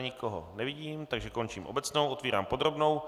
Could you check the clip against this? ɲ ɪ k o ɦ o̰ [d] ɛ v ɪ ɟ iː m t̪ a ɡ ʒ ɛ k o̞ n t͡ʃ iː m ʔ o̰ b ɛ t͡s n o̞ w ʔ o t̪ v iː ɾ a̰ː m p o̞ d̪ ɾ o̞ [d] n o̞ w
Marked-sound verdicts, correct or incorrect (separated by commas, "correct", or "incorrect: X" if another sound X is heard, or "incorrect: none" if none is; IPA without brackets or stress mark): incorrect: n, incorrect: b